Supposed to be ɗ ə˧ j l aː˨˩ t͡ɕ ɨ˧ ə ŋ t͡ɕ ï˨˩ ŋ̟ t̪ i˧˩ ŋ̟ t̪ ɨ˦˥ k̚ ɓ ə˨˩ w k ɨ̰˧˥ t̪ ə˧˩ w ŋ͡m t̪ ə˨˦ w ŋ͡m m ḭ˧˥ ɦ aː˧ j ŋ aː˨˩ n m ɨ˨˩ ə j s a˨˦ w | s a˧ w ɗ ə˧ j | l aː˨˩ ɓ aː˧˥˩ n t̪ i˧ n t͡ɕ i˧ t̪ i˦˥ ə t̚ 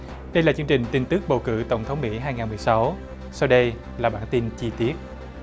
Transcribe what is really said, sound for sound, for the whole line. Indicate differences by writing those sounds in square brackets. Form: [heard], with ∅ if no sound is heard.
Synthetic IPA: ɗ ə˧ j l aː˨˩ t͡ɕ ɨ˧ ə ŋ t͡ɕ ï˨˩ ŋ̟ t̪ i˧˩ ŋ̟ t̪ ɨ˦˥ k̚ ɓ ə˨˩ w k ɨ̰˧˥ t̪ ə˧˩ w ŋ͡m [t̪ʰ] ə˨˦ w ŋ͡m m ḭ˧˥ ɦ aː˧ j ŋ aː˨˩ n m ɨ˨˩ ə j s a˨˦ w | s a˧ w ɗ ə˧ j | l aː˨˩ ɓ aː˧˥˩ n t̪ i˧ n t͡ɕ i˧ t̪ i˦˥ ə t̚